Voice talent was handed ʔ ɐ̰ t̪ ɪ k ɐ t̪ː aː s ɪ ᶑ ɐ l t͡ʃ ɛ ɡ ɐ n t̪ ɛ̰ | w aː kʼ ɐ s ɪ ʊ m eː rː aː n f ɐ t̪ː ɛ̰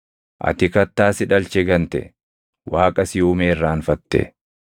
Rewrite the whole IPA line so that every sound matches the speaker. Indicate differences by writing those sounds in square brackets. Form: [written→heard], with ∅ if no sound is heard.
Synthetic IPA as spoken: ʔ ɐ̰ t̪ ɪ k ɐ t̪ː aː s ɪ ᶑ ɐ l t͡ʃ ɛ ɡ ɐ n t̪ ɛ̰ | w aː kʼ ɐ s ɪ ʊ m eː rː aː n f ɐ t̪ː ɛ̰